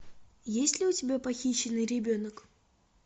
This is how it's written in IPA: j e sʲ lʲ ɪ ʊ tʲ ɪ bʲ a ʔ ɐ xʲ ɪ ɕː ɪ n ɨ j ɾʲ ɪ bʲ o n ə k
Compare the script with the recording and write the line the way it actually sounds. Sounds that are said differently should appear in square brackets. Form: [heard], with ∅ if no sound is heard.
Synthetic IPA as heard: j e sʲ lʲ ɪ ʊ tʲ ɪ bʲ a [p] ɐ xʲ [i] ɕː ɪ n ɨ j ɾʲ ɪ bʲ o n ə k